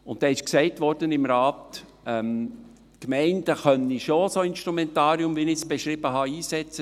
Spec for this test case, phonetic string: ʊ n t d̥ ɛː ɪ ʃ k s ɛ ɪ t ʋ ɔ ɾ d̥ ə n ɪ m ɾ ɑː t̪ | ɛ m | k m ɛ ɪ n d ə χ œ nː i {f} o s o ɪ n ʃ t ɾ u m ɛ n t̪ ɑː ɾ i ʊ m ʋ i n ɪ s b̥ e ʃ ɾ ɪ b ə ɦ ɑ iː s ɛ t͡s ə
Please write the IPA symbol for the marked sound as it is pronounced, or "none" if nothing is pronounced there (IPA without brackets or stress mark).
ʃ